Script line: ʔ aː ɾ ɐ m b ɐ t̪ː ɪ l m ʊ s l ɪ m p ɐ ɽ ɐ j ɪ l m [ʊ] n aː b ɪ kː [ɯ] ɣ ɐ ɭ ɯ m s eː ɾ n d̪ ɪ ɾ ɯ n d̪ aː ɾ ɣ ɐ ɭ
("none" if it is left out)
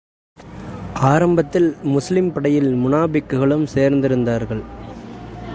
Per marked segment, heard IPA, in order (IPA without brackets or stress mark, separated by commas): ʊ, ɯ